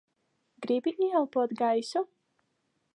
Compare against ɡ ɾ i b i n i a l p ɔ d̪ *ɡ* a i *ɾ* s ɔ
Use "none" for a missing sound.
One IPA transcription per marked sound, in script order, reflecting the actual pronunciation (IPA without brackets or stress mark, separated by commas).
ɡ, none